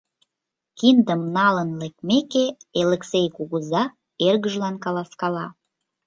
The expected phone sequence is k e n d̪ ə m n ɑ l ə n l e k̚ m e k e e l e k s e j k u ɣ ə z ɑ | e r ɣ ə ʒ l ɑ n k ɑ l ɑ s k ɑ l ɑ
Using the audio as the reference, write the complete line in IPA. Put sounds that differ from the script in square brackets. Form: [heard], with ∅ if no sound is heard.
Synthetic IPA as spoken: k [i] n d̪ ə m n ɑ l ə n l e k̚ m e k e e l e k s e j k u ɣ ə z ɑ | e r ɣ ə ʒ l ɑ n k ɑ l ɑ s k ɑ l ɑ